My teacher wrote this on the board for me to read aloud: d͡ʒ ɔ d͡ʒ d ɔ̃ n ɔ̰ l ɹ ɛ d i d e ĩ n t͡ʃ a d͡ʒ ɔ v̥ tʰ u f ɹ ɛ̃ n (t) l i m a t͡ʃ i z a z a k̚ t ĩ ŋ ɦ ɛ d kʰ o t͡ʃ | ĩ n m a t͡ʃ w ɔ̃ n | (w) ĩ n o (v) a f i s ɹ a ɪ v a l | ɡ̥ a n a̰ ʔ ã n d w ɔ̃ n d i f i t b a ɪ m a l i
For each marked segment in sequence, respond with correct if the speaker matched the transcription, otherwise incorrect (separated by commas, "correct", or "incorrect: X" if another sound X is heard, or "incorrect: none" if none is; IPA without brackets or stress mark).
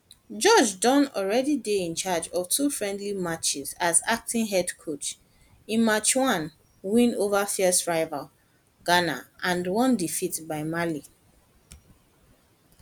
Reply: incorrect: d, correct, correct